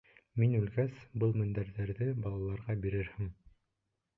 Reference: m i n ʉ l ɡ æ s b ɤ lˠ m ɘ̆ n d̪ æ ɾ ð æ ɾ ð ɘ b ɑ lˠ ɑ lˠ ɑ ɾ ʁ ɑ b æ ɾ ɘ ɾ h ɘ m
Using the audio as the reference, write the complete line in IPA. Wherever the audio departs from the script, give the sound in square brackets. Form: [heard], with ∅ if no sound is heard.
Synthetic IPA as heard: m i n ʉ l ɡ æ s b ɤ lˠ m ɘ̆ n d̪ æ ɾ ð æ ɾ ð ɘ b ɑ lˠ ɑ lˠ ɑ ɾ ʁ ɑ b [i] ɾ ɘ ɾ h ɘ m